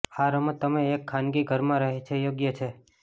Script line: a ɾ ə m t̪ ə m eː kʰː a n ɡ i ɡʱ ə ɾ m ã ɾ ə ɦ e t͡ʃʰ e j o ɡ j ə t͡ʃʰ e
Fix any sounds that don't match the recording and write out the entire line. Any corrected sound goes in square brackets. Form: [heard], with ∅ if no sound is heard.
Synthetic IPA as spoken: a ɾ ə m t̪ ə m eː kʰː a n ɡ i ɡʱ ə ɾ m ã ɾ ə ɦ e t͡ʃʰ e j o ɡ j ə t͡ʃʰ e